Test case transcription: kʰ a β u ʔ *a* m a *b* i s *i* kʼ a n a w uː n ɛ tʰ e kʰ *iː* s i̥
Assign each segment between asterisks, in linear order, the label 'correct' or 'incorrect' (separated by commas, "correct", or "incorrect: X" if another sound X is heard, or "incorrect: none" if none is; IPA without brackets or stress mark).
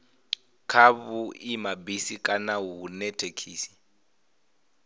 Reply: incorrect: i, correct, correct, correct